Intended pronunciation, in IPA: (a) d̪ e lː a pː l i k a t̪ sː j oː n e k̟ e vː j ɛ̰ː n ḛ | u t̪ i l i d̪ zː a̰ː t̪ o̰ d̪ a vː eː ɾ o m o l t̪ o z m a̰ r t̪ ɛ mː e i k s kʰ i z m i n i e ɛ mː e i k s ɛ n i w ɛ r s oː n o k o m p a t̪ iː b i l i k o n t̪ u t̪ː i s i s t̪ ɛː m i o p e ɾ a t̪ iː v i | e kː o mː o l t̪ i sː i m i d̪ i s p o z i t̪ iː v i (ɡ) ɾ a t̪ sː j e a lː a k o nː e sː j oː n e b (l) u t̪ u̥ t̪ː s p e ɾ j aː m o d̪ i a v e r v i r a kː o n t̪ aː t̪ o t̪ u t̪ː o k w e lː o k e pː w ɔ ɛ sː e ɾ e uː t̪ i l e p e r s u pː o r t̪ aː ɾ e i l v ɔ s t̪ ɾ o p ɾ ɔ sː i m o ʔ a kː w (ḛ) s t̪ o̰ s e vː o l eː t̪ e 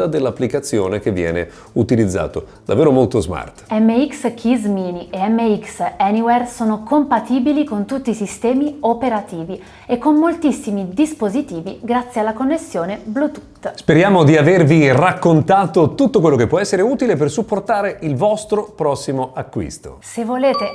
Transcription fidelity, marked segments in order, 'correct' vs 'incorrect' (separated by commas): correct, correct, correct, incorrect